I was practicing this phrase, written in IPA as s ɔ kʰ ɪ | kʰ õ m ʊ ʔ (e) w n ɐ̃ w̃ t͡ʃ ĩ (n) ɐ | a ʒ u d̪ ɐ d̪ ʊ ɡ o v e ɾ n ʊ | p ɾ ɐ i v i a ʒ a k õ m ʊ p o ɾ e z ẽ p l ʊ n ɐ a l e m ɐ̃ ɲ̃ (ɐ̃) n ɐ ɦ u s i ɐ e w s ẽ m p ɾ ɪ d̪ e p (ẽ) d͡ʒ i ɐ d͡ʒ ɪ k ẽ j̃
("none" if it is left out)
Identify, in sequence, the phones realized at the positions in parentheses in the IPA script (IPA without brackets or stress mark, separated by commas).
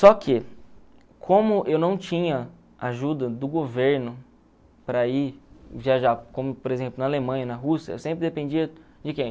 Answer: e, ɲ, ɐ, ẽ